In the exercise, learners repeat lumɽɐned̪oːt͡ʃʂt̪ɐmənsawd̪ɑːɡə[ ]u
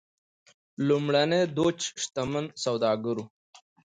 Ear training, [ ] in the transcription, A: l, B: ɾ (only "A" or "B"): B